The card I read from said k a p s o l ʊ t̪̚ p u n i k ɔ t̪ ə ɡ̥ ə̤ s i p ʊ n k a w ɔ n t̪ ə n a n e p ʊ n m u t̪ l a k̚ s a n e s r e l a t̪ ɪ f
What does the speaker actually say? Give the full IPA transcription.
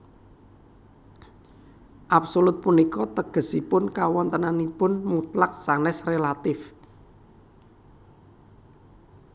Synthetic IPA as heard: ʔ a p s o l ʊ t̪̚ p u n i k ɔ t̪ ə ɡ̥ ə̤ s i p ʊ n k a w ɔ n t̪ ə n a n i p ʊ n m u t̪ l a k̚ s a n ɛ s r e l a t̪ ɪ f